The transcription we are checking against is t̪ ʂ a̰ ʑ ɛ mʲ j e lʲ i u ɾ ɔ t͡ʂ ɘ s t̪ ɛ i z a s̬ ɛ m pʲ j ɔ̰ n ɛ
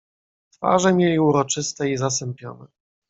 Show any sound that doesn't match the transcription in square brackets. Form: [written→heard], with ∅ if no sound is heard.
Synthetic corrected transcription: t̪ [ʂ→f] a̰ [ʑ→ʐ] ɛ mʲ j e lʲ i u ɾ ɔ t͡ʂ ɘ s t̪ ɛ i z a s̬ ɛ m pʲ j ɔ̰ n ɛ